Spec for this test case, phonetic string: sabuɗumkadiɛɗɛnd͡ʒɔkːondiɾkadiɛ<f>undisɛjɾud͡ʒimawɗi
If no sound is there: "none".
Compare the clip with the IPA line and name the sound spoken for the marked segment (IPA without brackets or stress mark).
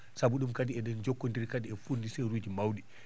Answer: f